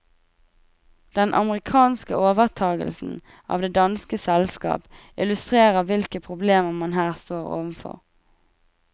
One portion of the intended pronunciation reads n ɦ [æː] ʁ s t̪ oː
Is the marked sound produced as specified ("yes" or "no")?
yes